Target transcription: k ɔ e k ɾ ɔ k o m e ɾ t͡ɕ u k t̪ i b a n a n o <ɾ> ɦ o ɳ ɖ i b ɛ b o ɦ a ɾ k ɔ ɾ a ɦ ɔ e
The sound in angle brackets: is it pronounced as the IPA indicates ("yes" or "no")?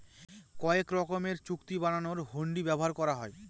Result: yes